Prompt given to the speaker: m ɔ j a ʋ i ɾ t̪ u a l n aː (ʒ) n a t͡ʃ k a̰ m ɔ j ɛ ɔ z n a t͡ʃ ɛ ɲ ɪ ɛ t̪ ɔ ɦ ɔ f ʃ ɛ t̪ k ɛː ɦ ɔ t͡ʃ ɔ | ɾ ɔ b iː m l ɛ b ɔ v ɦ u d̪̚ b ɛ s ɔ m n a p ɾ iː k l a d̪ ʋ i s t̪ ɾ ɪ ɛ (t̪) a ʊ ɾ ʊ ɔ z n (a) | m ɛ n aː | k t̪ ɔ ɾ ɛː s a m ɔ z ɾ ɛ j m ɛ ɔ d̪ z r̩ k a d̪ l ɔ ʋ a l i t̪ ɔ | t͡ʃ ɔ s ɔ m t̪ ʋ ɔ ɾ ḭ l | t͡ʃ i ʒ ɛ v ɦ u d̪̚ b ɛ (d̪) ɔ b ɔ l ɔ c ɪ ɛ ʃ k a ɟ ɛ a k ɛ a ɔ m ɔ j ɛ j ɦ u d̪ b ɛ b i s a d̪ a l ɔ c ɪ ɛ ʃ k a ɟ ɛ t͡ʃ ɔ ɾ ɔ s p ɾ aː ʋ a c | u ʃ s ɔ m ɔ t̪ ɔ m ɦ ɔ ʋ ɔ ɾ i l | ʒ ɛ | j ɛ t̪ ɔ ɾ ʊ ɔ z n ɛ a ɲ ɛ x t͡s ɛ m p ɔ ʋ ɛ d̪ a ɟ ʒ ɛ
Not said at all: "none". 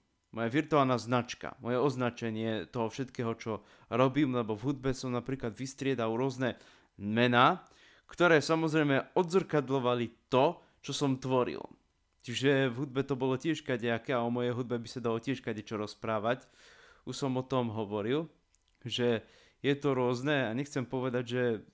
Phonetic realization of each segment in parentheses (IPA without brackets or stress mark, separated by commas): z, d̪, ɛ, t̪